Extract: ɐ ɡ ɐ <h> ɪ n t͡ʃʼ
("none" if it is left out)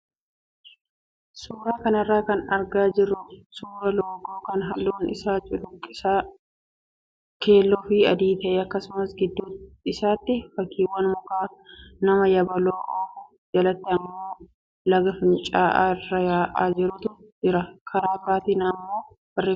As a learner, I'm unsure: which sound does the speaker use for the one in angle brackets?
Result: f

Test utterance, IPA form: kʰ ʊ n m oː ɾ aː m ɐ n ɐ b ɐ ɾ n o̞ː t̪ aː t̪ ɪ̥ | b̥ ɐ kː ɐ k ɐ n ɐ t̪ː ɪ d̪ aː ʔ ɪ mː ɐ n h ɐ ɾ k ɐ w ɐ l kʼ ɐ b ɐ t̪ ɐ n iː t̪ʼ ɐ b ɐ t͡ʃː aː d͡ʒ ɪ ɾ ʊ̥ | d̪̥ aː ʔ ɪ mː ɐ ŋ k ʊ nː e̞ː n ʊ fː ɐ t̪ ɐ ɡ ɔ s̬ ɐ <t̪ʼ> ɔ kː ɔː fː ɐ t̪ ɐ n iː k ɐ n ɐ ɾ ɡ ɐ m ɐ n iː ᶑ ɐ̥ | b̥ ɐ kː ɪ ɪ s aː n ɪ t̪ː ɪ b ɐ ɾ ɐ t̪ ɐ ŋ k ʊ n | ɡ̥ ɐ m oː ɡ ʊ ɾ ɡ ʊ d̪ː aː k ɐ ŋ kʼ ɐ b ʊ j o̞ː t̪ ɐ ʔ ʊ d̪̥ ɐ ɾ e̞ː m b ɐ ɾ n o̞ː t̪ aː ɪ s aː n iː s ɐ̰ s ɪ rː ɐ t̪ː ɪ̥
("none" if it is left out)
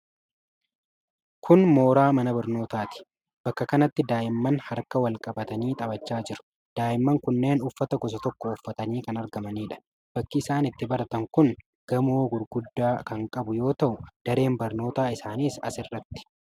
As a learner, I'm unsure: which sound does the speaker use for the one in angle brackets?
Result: t̪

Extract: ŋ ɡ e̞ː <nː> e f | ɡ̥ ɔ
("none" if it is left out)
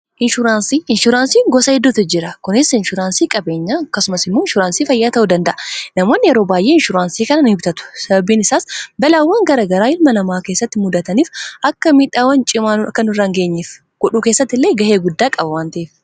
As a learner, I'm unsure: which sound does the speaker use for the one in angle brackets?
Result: ɲː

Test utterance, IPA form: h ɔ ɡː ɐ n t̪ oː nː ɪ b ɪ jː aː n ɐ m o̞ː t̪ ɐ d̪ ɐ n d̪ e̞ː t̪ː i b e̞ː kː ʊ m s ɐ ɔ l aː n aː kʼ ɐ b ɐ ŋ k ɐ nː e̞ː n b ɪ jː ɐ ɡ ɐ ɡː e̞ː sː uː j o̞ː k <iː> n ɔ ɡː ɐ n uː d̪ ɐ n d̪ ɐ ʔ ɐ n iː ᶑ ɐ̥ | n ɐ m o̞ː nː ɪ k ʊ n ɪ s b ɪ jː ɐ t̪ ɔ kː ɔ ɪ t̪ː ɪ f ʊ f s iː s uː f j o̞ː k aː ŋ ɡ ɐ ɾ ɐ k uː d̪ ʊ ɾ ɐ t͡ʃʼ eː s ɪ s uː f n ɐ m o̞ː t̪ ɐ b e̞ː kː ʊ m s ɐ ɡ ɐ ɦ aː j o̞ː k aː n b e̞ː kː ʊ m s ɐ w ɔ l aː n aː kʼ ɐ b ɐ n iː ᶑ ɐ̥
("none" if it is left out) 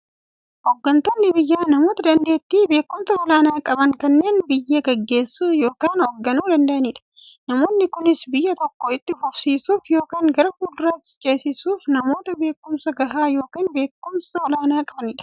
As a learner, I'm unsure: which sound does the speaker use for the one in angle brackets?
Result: aː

